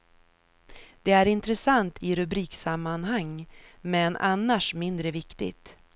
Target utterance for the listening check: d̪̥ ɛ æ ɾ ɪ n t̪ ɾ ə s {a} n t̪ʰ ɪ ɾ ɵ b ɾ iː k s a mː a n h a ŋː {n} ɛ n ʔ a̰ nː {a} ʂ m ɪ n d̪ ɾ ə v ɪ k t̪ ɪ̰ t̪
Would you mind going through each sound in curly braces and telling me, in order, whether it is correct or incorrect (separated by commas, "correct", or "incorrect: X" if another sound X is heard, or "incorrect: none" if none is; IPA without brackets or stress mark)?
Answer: correct, incorrect: m, correct